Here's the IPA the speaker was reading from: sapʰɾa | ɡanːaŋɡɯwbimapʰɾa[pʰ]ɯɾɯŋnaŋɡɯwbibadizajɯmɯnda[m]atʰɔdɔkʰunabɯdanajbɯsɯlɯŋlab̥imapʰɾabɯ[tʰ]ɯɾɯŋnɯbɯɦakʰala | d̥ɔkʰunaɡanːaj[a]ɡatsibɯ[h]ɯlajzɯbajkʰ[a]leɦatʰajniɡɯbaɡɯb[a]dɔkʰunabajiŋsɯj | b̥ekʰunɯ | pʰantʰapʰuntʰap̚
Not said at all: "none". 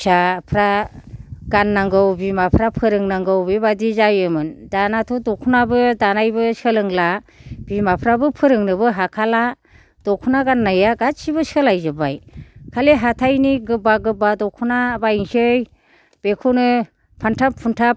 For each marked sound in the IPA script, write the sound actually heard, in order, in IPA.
pʰ, n, pʰ, a, s, a, a

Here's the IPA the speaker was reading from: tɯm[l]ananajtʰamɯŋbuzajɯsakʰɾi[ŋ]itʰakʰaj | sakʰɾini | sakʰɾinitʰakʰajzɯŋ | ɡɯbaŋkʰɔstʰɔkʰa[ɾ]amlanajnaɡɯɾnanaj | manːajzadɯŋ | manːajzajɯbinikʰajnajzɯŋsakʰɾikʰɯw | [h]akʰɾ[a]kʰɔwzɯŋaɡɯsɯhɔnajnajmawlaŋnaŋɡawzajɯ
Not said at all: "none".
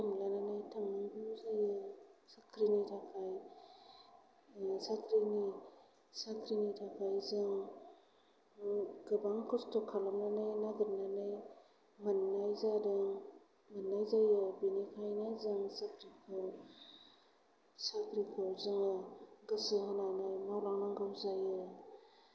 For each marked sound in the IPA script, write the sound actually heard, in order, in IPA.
l, n, l, s, i

